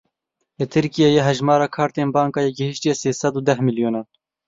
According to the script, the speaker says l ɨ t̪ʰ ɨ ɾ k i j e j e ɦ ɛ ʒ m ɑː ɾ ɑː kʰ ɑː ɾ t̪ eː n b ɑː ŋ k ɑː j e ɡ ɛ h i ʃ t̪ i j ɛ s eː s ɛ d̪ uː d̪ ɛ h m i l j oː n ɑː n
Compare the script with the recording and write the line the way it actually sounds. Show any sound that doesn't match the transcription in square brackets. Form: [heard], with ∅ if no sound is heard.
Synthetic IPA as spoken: l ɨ t̪ʰ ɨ ɾ k i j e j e ɦ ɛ ʒ m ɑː ɾ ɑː kʰ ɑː ɾ t̪ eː n b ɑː ŋ k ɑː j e ɡ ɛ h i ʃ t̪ i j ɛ s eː s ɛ d̪ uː d̪ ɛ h m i l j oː n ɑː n

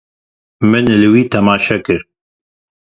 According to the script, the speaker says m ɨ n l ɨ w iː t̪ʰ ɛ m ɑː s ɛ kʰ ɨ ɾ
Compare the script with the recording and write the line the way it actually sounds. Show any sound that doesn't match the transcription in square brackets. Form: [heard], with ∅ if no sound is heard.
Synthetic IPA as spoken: m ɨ n l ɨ w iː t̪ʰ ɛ m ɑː [ʃ] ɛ [k] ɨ ɾ

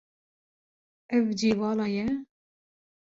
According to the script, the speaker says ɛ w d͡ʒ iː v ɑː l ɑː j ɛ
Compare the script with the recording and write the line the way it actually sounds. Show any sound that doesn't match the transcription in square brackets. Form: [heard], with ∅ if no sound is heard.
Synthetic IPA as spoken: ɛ [v] d͡ʒ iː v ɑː l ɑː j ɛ

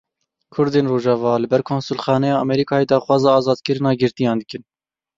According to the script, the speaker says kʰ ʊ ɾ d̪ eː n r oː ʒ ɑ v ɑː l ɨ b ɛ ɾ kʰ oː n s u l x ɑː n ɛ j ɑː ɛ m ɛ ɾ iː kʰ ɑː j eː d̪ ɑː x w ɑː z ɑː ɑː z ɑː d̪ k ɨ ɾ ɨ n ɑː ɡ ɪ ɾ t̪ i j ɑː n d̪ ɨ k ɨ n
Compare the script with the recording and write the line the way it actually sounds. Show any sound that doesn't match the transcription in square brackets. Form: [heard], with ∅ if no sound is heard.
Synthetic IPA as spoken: kʰ ʊ ɾ d̪ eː n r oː ʒ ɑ v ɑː l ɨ b ɛ ɾ kʰ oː n s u l x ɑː n ɛ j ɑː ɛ m ɛ ɾ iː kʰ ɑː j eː d̪ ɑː x w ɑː z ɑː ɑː z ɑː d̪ k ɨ ɾ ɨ n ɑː ɡ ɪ ɾ t̪ i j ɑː n d̪ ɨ k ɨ n

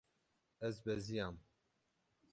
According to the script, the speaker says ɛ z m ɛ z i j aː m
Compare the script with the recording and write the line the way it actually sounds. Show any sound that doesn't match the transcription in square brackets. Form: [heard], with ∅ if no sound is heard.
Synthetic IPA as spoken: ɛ z [b] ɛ z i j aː m

